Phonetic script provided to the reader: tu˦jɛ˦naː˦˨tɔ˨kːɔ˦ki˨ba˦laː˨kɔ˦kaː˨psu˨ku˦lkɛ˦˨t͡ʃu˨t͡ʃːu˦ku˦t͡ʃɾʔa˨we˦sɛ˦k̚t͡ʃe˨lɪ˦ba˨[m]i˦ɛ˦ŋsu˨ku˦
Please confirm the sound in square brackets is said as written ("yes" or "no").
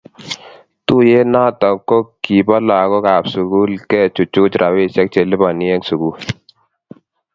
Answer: no